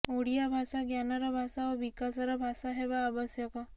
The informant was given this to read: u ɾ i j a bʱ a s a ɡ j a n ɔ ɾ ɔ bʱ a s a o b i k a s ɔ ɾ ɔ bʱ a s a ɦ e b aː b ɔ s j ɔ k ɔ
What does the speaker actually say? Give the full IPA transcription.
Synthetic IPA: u ɽ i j a bʱ a s a ɡ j a n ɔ ɾ ɔ bʱ a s a o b i k a s ɔ ɾ ɔ bʱ a s a ɦ e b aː b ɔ s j ɔ k ɔ